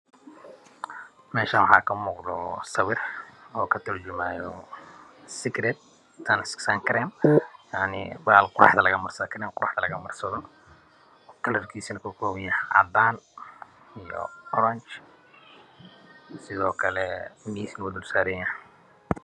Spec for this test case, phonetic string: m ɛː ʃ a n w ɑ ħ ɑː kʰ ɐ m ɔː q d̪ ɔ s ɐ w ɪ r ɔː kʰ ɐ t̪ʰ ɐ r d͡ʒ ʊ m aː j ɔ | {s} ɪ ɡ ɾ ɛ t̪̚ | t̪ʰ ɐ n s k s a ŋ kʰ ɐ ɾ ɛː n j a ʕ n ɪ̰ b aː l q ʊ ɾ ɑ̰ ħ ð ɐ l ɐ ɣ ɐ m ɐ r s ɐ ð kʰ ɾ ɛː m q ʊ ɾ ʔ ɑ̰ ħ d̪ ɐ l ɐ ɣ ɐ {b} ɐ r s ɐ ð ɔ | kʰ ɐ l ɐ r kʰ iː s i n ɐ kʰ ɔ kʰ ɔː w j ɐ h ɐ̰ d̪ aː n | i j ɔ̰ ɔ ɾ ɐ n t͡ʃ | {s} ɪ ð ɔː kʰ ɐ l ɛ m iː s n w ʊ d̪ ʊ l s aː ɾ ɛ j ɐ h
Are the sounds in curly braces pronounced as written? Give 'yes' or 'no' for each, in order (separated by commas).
yes, no, yes